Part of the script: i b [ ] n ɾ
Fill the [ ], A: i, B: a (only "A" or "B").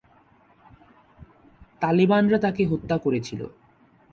B